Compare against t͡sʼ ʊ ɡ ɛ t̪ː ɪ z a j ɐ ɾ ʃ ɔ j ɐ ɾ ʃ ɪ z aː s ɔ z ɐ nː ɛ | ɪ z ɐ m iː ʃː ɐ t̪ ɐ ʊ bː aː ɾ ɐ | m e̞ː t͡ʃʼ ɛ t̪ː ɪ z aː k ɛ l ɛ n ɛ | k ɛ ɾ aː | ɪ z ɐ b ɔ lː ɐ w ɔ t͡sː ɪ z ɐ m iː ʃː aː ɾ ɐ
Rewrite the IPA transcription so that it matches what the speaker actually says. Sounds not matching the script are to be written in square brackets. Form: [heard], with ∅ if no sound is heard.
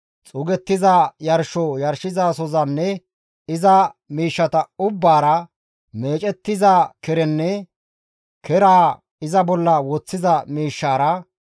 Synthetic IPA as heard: t͡sʼ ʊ ɡ ɛ t̪ː ɪ z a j ɐ ɾ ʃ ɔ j ɐ ɾ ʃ ɪ z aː s ɔ z ɐ nː ɛ | ɪ z ɐ m iː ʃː ɐ t̪ ɐ ʊ bː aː ɾ ɐ | m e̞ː t͡ʃʼ ɛ t̪ː ɪ z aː k ɛ [ɾ] ɛ [nː] ɛ | k ɛ ɾ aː | ɪ z ɐ b ɔ lː ɐ w ɔ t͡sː ɪ z ɐ m iː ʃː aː ɾ ɐ